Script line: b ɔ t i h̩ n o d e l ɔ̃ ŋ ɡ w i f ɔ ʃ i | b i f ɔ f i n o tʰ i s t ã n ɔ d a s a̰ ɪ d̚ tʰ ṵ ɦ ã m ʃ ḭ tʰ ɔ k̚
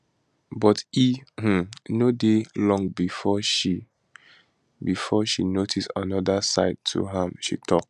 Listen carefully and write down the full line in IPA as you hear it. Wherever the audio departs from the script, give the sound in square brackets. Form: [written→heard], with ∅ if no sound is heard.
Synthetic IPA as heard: b ɔ t i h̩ n o d e l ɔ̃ ŋ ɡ [w→b] i f ɔ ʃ i | b i f ɔ [f→ʃ] i n o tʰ i s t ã n ɔ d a s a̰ ɪ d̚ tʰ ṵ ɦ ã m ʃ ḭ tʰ ɔ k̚